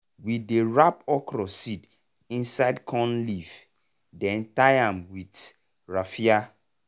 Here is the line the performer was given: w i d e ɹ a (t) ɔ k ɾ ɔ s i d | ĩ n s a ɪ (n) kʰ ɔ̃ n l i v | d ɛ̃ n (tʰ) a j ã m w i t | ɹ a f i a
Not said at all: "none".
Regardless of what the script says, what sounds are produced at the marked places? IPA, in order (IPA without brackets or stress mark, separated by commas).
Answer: p, d, t